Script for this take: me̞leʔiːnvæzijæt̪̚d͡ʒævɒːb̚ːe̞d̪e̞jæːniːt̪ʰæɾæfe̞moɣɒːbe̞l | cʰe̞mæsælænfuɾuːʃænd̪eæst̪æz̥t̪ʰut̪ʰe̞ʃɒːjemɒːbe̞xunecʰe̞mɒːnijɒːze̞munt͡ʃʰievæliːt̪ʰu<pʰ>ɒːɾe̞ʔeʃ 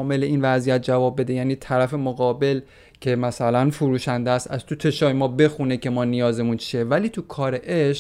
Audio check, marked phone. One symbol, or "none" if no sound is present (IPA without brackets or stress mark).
kʰ